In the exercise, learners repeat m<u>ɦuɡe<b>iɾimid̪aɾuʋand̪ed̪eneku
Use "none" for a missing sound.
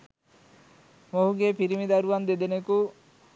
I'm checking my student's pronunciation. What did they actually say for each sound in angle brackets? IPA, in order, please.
o, p

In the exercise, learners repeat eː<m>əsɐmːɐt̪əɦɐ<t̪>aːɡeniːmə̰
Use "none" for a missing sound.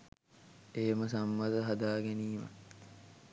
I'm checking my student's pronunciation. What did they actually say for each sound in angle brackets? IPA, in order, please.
m, d̪

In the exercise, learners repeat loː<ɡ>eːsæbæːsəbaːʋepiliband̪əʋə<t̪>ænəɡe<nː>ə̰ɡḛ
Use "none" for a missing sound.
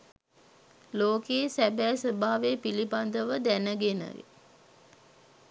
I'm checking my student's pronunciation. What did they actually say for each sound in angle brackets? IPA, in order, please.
k, d̪, n

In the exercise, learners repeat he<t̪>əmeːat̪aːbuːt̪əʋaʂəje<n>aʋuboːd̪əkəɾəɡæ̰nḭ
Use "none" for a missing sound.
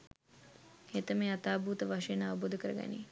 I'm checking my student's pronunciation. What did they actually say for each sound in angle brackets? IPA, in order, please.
t̪, n

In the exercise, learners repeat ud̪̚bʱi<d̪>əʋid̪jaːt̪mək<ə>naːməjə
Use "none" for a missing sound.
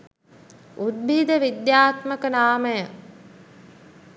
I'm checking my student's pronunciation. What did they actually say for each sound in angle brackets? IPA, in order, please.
d̪, ə

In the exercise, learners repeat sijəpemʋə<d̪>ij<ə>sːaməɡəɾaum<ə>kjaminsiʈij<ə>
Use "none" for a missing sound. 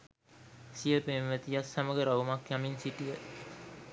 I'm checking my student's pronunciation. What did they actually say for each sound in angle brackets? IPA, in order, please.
t̪, a, a, ə

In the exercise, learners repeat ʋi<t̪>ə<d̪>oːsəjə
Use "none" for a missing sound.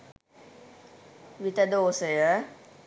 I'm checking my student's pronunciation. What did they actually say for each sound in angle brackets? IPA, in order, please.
t̪, d̪

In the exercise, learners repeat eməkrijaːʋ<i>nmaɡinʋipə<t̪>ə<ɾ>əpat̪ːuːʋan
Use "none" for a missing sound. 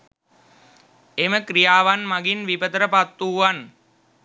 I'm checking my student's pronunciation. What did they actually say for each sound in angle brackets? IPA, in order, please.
a, t̪, ɾ

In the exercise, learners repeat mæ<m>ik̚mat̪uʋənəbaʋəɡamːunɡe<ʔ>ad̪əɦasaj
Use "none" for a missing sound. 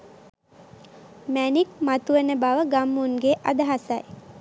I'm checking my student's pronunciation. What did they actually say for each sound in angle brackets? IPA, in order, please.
n, ʔ

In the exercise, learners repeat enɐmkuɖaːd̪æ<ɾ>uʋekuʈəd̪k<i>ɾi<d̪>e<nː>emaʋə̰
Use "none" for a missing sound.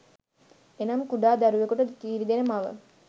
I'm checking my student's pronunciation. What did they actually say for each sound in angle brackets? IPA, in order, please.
ɾ, iː, d̪, n

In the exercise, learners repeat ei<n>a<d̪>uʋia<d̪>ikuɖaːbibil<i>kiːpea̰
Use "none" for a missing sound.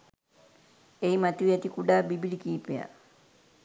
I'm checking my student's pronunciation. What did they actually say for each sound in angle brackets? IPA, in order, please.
m, t̪, t̪, i

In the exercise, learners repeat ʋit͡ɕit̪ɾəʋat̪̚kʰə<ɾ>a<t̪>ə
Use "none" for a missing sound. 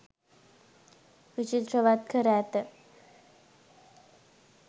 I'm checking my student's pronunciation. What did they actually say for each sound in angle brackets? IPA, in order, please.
ɾ, t̪

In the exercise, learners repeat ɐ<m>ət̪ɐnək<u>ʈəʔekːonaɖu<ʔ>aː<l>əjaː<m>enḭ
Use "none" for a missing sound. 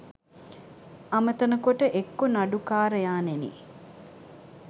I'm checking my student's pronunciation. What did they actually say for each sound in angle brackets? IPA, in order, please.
m, o, k, ɾ, n

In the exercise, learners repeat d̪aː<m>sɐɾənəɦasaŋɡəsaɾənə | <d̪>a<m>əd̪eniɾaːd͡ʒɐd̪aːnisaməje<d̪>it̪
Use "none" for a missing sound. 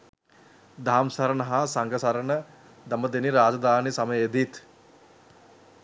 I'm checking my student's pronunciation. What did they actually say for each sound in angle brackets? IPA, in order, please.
m, d̪, m, d̪

